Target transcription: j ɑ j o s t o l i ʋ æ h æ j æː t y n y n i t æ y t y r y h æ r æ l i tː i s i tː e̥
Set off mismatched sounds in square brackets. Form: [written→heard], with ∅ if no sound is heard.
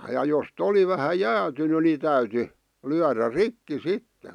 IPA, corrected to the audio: j ɑ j o s t o l i ʋ æ h æ j æː t y n y n i t æ y t y [r→l] y [h→∅] æ r æ [l→r] i [tː→kː] i s i tː e̥